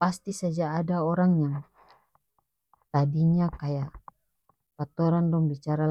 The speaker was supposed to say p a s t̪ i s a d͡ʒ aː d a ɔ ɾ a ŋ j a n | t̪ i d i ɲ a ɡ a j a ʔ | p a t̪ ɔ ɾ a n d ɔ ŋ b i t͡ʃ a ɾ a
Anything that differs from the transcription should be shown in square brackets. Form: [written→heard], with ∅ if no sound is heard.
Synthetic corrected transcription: p a s t̪ i s a d͡ʒ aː d a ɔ ɾ a ŋ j a [n→ŋ] | t̪ [i→a] d i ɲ a [ɡ→k] a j a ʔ | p a t̪ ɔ ɾ a n d ɔ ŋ b i t͡ʃ a ɾ a